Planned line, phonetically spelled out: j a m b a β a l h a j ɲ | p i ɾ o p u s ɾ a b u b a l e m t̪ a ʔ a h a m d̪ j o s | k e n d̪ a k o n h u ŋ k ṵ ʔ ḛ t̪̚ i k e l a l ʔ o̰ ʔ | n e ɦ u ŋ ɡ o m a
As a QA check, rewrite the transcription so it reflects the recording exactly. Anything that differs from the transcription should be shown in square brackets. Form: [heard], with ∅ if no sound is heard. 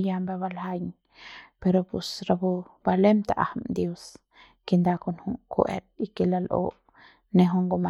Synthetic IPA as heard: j a m b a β a l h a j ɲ | p [e] ɾ o p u s ɾ a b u b a l e m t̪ a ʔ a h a m d̪ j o s | k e n d̪ a k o n h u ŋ k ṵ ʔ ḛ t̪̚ i k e l a l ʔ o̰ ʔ | n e ɦ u ŋ ɡ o m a